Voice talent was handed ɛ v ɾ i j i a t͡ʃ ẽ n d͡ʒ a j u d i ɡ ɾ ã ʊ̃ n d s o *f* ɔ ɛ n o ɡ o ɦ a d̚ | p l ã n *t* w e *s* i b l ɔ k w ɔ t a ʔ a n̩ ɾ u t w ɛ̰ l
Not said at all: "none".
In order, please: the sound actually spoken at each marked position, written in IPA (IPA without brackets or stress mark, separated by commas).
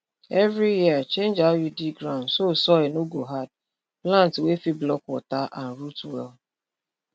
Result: s, t, f